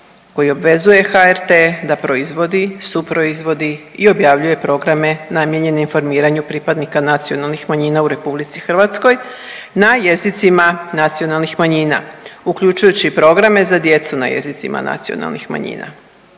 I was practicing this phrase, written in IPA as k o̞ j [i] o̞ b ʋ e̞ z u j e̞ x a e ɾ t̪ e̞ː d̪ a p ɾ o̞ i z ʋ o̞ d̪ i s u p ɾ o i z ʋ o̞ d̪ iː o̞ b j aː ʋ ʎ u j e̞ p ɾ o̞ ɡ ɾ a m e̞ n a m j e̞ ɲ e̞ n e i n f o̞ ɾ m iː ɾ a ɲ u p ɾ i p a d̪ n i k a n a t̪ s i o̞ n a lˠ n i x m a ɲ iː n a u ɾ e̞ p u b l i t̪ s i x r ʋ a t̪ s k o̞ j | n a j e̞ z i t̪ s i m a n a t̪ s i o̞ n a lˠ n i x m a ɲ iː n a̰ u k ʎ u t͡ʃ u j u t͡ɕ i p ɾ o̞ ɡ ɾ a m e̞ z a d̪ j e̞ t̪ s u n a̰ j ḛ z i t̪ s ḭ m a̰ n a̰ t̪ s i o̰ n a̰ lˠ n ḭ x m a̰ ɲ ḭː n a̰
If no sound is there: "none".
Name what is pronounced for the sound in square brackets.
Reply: i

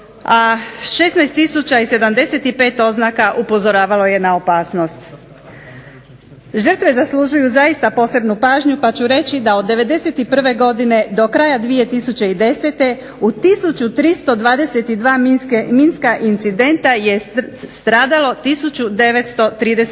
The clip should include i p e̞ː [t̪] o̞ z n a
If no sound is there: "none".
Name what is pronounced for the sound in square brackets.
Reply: t̪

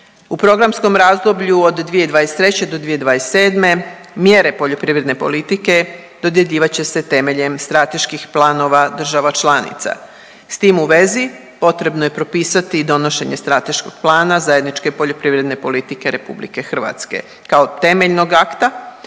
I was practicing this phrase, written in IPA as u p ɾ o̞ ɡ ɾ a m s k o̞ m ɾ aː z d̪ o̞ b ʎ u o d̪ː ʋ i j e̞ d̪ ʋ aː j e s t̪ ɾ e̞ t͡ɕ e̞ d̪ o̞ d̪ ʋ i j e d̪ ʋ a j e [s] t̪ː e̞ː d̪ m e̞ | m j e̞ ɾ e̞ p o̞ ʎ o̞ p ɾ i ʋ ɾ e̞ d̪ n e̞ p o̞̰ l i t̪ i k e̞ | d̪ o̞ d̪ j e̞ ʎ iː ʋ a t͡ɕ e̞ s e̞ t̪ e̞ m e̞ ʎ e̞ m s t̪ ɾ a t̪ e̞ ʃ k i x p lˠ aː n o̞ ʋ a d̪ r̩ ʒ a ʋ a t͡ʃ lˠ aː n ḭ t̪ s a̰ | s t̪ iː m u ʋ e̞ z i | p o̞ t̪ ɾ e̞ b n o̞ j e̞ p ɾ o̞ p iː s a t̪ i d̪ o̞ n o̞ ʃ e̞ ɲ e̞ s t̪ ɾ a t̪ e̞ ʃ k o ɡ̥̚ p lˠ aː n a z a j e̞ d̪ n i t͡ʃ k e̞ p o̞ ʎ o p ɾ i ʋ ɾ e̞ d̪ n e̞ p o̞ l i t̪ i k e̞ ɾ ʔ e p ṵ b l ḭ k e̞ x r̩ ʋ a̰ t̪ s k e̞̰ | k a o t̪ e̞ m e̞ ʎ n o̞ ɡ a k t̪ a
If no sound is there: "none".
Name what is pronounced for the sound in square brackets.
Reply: s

